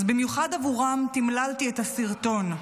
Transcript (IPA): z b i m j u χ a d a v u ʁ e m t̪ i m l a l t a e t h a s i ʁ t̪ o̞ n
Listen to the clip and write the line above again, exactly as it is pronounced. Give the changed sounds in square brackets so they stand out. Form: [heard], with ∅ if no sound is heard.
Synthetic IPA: z b i m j u χ a d a v u ʁ [a] m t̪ i m l a l t [i] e t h a s i ʁ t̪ o̞ n